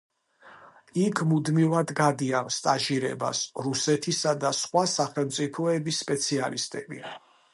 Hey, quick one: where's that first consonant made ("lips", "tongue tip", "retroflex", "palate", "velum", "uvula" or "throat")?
velum